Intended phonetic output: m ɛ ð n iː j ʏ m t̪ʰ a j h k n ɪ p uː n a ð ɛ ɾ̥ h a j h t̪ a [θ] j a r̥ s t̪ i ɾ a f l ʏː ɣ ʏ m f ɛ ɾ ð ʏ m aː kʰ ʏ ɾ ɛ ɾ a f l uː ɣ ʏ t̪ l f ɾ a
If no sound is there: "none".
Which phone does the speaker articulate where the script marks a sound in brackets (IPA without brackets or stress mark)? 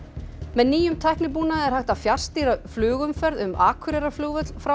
f